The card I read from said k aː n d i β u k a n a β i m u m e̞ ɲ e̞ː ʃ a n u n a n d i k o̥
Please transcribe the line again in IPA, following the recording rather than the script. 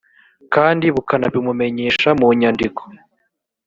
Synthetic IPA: k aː n d i β u k a n a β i m u m e̞ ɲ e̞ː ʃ a m u ɲ a n d i k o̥